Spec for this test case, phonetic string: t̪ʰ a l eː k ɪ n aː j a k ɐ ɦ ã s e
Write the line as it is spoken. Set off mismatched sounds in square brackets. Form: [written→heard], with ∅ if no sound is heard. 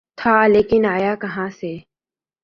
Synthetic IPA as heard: t̪ʰ a l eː k ɪ n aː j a k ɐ ɦ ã s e

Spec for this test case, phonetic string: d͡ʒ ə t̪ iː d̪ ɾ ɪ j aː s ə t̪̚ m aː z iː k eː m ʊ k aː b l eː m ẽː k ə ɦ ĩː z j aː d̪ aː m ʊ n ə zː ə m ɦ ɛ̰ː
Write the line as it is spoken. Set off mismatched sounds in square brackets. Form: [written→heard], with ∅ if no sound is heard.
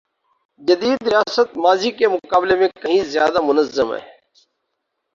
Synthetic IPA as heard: d͡ʒ ə [t̪→d̪] iː d̪ ɾ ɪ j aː s ə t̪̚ m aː z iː k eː m ʊ k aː b l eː m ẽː k ə ɦ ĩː z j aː d̪ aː m ʊ n ə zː ə m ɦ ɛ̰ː

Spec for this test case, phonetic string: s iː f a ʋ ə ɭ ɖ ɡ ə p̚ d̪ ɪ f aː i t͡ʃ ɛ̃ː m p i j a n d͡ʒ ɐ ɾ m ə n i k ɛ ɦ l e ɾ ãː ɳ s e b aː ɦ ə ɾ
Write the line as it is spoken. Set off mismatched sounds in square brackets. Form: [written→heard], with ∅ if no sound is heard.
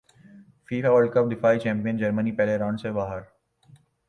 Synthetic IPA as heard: [s→f] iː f a ʋ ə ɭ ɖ [ɡ→k] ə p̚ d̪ ɪ f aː i t͡ʃ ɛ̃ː m p i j [a→ə] n d͡ʒ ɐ ɾ m ə n i [k→p] ɛ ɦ l e ɾ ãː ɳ s e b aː ɦ ə ɾ

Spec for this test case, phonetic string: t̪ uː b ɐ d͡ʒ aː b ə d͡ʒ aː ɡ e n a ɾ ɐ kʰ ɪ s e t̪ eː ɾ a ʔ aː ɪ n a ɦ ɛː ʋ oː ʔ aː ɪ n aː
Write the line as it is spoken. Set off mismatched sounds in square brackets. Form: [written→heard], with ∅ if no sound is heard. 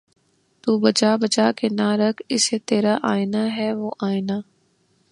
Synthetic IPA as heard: t̪ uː b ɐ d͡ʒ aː b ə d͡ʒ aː [ɡ→k] e n a ɾ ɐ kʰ ɪ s e t̪ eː ɾ a ʔ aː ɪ n a ɦ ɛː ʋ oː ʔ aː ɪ n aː

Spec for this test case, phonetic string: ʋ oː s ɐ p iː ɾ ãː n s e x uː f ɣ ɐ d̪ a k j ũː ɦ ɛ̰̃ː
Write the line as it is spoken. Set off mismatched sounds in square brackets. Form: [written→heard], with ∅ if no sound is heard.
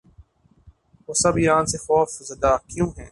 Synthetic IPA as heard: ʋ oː s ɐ [p→b] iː ɾ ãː n s e x [uː→ɔː] f [ɣ→z] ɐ d̪ a k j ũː ɦ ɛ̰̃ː

